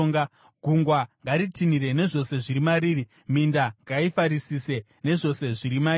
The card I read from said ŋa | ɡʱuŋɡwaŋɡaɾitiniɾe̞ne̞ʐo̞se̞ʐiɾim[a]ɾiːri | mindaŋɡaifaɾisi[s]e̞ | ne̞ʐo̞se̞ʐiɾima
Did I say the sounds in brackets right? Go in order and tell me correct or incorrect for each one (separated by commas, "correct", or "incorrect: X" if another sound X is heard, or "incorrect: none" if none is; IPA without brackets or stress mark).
correct, correct